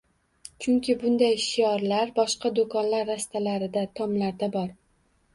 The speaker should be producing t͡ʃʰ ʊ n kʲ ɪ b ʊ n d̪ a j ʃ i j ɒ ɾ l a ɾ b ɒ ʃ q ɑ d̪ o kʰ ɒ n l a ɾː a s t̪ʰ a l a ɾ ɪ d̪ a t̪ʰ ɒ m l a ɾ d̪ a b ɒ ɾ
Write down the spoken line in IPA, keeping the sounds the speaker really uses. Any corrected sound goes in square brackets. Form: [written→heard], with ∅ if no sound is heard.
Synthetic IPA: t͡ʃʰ ʊ [n→ŋ] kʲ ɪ b ʊ n d̪ a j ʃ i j ɒ ɾ l a ɾ b ɒ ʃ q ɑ d̪ o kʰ ɒ n l a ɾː a s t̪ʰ a l a ɾ ɪ d̪ a t̪ʰ ɒ m l a ɾ d̪ a b ɒ ɾ